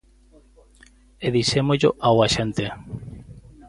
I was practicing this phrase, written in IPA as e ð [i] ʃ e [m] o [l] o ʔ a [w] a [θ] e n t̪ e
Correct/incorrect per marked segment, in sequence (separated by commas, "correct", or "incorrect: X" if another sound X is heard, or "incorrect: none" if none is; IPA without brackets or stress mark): correct, correct, incorrect: ʎ, correct, incorrect: ʃ